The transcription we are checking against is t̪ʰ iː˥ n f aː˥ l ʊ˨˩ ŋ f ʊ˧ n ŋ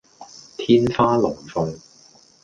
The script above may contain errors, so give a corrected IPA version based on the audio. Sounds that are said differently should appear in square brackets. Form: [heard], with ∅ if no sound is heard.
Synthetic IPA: t̪ʰ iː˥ n f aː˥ l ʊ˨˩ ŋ f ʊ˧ [∅] ŋ